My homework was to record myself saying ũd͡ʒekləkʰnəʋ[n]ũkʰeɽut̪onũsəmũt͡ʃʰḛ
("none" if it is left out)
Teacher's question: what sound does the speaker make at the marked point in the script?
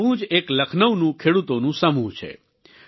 n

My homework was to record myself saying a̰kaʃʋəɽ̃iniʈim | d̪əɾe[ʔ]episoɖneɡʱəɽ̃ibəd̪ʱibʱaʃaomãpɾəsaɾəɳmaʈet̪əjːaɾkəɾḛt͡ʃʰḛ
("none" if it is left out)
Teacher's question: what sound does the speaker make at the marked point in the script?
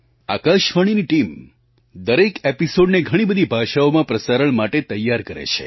k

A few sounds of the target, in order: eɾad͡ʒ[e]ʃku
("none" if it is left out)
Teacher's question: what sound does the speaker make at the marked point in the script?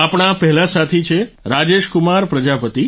e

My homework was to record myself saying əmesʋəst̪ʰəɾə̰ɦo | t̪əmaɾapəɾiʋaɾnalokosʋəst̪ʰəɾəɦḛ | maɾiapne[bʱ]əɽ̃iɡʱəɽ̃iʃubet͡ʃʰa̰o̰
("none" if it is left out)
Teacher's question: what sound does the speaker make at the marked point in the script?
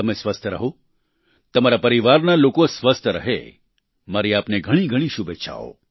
ɡʱ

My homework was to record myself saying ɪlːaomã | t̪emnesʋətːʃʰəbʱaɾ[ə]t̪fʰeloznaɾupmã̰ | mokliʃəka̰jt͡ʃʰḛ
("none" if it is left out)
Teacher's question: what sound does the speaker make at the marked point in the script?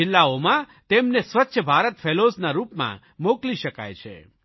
ə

